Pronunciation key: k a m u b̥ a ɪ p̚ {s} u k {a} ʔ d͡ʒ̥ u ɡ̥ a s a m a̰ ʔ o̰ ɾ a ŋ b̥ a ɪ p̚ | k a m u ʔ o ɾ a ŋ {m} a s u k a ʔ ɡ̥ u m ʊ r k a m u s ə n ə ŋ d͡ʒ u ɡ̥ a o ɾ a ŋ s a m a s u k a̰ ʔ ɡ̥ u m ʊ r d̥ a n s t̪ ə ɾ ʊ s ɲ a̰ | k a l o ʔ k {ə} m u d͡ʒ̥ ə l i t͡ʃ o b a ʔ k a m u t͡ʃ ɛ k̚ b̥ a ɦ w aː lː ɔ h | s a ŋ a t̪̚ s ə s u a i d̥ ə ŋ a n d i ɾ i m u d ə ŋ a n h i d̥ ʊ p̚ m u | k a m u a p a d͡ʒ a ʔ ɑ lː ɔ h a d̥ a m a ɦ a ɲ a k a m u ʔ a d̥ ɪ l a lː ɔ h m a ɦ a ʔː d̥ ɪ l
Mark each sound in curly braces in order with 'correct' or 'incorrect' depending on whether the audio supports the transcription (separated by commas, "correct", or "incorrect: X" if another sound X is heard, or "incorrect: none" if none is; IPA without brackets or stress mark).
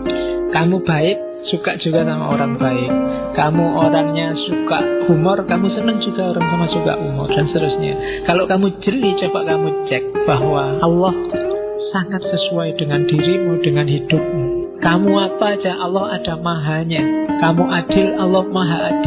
correct, correct, incorrect: ɲ, incorrect: a